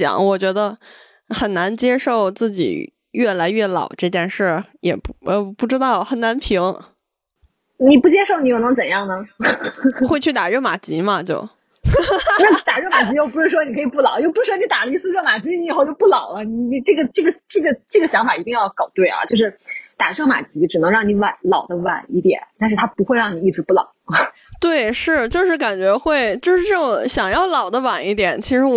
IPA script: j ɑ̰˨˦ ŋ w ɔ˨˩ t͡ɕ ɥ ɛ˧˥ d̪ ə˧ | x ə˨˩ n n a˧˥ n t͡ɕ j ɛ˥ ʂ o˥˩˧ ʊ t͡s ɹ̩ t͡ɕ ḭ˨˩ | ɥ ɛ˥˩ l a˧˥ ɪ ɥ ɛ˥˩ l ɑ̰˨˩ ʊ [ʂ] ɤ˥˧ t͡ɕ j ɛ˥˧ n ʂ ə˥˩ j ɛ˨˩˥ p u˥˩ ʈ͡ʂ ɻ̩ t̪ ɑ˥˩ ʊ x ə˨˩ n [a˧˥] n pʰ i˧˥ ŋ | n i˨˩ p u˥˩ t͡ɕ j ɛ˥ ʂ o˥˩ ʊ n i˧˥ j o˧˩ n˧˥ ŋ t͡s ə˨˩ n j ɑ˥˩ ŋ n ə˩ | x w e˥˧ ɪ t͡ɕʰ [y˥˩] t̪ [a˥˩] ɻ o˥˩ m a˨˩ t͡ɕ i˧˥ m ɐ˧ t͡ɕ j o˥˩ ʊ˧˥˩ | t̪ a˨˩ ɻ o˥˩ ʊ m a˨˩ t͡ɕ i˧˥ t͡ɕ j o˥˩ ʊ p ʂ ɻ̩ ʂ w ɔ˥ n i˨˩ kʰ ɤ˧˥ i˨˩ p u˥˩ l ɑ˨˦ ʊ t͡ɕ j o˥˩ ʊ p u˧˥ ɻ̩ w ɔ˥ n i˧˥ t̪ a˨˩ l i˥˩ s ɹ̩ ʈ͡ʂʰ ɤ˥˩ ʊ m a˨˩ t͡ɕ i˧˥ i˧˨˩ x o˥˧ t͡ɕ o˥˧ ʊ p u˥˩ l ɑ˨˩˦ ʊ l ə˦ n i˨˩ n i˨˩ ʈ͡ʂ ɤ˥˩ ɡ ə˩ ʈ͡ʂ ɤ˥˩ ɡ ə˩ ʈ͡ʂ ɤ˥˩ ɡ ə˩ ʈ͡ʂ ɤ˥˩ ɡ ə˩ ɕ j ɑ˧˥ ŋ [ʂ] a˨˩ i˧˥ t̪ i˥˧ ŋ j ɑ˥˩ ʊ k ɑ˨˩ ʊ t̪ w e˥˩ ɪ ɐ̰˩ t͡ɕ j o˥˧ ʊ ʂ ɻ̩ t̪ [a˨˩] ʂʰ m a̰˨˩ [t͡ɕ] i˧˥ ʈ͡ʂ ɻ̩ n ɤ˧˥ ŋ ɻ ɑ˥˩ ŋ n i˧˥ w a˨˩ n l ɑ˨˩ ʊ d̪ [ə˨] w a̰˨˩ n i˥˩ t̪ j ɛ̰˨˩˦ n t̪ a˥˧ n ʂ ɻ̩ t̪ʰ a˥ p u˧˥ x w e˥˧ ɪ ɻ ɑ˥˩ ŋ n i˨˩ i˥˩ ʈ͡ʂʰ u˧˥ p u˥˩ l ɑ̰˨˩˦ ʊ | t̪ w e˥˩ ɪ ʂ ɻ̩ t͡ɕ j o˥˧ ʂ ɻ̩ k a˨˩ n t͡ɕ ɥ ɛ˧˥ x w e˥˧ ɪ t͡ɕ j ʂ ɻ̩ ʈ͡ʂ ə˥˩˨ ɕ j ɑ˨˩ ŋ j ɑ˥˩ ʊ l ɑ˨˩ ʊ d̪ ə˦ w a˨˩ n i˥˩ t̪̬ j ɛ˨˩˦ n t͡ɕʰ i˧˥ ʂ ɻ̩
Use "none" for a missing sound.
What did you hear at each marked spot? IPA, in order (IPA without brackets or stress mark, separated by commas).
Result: ʈ͡ʂ, a˧˥, y˥˩, a˨˩, f, a˨˩, t͡ɕ, ə˦